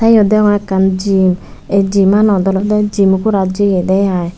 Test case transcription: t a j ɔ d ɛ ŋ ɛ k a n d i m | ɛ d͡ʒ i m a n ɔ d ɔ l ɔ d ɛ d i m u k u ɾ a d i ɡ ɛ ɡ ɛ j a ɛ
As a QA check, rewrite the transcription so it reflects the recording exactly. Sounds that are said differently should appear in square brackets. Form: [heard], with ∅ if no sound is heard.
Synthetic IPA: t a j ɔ d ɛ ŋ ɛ k a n [d͡ʒ] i m | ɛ d͡ʒ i m a n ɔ d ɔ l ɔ d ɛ [d͡ʒ] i m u k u ɾ a [d͡ʒ] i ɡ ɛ [d] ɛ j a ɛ